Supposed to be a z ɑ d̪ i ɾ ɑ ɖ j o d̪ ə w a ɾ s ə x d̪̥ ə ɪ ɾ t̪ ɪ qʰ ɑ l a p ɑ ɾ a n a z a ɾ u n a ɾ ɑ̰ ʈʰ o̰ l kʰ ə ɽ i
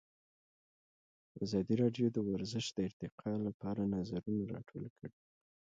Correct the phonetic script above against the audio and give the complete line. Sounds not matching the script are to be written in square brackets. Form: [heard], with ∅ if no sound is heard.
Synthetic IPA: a z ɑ d̪ i ɾ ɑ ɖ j o d̪ ə w a ɾ [z] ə [ʃ] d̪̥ ə ɪ ɾ t̪ ɪ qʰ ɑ l a p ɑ ɾ a n a z a ɾ u n a ɾ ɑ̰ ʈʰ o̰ l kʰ ə ɽ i

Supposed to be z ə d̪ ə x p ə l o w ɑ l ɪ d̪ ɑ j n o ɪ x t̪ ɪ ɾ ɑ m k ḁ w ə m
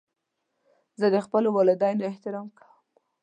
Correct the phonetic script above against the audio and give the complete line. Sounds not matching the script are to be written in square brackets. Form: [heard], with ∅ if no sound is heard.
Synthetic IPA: z ə d̪ ə x p ə l o w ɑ l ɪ d̪ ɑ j n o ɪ [h] t̪ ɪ ɾ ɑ m k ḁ w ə m

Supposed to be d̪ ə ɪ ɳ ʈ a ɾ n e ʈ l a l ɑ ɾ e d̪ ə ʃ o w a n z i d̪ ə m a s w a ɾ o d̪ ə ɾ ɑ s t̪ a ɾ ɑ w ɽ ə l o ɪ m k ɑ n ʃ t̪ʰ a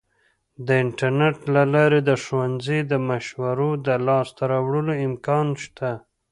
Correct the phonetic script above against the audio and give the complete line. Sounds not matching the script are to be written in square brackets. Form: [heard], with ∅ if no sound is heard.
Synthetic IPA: d̪ ə ɪ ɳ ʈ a ɾ n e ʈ l a l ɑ ɾ e d̪ ə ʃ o w a n z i d̪ ə m a [ʃ] w a ɾ o d̪ ə [l] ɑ s t̪ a ɾ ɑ w ɽ ə l o ɪ m k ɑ n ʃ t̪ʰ a

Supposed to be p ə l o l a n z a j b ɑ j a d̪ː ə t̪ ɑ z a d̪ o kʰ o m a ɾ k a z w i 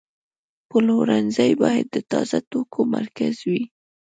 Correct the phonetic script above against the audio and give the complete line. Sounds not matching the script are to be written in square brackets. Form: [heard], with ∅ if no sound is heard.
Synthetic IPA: p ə l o [ɾ] a n z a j b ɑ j a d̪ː ə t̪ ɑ z a [t̪] o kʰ o m a ɾ k a z w i

